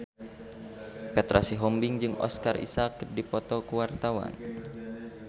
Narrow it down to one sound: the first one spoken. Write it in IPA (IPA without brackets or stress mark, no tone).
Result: p